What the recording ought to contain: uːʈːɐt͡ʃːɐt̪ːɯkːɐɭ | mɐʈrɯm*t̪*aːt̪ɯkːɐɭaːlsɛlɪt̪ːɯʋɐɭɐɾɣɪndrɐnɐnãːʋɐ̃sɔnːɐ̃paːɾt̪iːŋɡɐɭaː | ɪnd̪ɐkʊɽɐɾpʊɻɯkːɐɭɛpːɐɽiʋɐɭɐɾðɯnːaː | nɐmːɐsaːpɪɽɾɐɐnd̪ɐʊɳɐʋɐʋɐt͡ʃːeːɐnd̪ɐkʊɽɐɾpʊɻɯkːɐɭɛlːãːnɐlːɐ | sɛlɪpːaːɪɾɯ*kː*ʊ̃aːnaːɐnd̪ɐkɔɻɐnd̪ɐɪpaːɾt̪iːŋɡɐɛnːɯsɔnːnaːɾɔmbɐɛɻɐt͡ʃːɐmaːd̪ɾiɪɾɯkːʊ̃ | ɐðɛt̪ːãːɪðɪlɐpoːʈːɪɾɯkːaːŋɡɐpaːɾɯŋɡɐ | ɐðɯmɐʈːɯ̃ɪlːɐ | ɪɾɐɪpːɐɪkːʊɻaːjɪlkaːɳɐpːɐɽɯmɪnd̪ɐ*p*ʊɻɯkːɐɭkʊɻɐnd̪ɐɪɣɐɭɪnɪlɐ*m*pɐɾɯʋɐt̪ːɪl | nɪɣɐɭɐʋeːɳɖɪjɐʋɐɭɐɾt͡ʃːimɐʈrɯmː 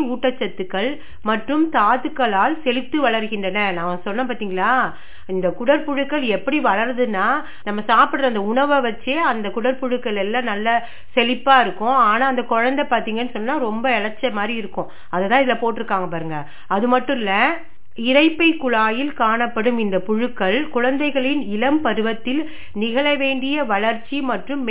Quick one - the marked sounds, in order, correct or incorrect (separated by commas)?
correct, correct, correct, correct